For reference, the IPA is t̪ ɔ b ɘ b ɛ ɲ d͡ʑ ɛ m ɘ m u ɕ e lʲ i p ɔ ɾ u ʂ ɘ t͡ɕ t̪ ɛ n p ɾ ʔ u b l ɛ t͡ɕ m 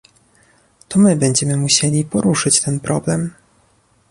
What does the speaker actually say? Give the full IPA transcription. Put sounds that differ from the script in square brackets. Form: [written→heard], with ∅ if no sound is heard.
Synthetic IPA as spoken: t̪ ɔ [b→m] ɘ b ɛ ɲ d͡ʑ ɛ m ɘ m u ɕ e lʲ i p ɔ ɾ u ʂ ɘ t͡ɕ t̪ ɛ n p ɾ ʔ [u→ɔ] b l ɛ [t͡ɕ→∅] m